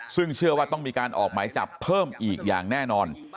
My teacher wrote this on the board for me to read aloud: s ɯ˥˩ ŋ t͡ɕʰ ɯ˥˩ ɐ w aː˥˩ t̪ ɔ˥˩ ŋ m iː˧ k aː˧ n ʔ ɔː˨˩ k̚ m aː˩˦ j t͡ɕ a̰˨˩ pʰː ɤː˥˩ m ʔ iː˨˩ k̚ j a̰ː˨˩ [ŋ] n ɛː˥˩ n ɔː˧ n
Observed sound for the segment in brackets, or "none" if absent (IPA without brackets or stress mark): ŋ